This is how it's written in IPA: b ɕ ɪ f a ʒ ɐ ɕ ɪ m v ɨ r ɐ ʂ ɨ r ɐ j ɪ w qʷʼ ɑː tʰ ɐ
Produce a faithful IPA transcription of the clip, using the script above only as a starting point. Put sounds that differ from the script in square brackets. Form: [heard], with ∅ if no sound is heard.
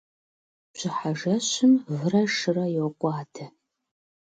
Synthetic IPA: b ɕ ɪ [ħ] a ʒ ɐ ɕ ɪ m v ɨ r ɐ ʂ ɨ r ɐ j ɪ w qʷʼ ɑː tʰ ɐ

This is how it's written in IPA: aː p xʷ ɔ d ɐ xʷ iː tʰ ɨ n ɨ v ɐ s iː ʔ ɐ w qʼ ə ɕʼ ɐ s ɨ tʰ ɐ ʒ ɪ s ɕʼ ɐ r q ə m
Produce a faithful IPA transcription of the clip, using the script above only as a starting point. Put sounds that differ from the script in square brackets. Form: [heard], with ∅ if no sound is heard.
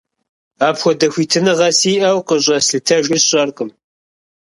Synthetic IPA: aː p xʷ ɔ d ɐ xʷ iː tʰ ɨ n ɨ [ʁ] ɐ s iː ʔ ɐ w [q] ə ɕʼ ɐ s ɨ tʰ ɐ ʒ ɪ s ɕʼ ɐ r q ə m

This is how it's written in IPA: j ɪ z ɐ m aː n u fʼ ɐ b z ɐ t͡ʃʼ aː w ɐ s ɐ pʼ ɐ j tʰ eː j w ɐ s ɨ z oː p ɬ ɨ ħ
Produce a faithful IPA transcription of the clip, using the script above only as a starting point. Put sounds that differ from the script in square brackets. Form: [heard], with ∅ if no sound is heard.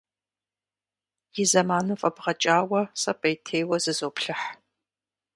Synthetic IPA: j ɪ z ɐ m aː n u fʼ ɐ b [ʁ] ɐ t͡ʃʼ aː w ɐ s ɐ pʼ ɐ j tʰ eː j w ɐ [z] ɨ z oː p ɬ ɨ ħ

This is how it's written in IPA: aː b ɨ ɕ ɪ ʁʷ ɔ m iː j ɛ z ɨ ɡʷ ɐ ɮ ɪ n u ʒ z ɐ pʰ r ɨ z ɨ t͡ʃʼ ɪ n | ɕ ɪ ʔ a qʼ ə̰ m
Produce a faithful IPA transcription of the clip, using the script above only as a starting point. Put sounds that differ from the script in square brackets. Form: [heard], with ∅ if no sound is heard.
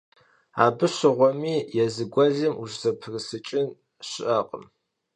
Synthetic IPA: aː b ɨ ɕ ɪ ʁʷ ɔ m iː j ɛ z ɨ ɡʷ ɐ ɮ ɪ [m] u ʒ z ɐ pʰ r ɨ [s] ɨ t͡ʃʼ ɪ n | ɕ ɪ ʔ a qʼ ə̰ m

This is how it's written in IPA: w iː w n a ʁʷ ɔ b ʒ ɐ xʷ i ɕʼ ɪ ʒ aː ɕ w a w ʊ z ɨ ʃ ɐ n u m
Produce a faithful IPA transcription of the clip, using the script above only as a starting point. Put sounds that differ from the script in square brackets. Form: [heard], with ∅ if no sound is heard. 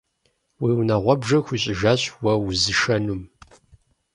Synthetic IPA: w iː w n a ʁʷ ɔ b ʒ ɐ xʷ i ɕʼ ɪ ʒ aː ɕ w [ɐ] w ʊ z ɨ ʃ ɐ n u m

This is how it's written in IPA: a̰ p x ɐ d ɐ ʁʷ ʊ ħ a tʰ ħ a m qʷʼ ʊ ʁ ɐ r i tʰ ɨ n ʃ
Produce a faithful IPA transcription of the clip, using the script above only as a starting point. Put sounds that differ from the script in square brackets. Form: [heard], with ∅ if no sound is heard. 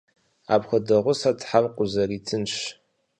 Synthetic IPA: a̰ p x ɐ d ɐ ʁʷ ʊ [s] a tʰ ħ a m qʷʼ ʊ [z] ɐ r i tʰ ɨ n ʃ

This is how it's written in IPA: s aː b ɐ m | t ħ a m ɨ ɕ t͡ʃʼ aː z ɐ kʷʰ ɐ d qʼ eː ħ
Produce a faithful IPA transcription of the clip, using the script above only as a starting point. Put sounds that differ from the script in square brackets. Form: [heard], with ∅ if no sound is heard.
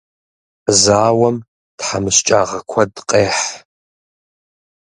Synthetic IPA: [z] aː [w] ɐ m | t ħ a m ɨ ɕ t͡ʃʼ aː [ʁ] ɐ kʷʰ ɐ d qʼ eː ħ

